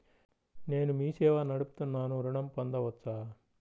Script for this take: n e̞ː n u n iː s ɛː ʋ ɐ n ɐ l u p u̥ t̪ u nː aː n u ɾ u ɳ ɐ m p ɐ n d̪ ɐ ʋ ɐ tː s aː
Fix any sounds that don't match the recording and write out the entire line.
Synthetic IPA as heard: n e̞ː n u m iː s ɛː ʋ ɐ n ɐ ɽ u p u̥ t̪ u nː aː n u ɾ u ɳ ɐ m p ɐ n d̪ ɐ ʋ ɐ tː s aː